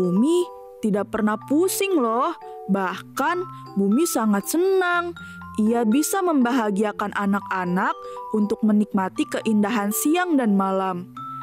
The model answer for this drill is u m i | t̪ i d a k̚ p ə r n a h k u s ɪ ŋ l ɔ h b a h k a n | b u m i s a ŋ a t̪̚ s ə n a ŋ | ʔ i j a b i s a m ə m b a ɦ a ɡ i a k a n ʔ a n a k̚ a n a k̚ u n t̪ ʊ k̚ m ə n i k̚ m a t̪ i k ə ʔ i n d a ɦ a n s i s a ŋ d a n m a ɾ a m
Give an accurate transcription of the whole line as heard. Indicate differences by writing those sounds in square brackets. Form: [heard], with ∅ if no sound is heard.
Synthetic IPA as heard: u m i | t̪ i d a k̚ p ə r n a h [p] u s ɪ ŋ l ɔ h b a h k a n | b u m i s a ŋ a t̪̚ s ə n a ŋ | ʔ i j a b i s a m ə m b a ɦ a ɡ i a k a n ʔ a n a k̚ a n a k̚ u n t̪ ʊ k̚ m ə n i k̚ m a t̪ i k ə ʔ i n d a ɦ a n s i [∅] a ŋ d a n m a [l] a m